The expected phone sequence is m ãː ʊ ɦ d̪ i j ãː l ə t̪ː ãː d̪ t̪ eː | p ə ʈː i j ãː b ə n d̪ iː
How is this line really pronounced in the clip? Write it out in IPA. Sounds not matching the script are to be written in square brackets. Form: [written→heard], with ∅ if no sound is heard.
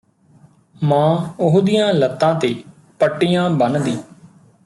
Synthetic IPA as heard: m ãː ʊ ɦ d̪ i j ãː l ə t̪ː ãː [d̪→∅] t̪ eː | p ə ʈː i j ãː b ə n d̪ iː